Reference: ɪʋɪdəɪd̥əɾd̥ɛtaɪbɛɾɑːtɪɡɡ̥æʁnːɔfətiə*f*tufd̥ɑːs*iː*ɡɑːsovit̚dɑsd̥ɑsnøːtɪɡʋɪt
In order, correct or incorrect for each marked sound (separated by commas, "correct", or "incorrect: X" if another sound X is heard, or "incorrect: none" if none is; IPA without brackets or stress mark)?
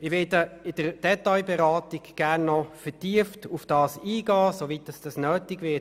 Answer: correct, correct